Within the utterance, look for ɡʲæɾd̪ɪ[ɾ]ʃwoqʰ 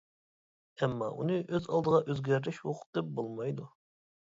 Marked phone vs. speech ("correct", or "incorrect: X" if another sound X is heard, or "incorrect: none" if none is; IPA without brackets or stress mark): incorrect: none